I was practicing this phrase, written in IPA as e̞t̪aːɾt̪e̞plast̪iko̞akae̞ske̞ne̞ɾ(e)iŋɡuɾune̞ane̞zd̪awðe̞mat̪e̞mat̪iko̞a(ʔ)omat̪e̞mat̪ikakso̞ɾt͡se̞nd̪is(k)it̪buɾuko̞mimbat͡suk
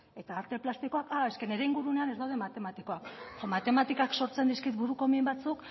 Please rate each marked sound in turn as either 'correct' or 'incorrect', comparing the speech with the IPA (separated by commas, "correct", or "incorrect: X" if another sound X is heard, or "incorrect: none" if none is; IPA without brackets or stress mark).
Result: correct, incorrect: k, correct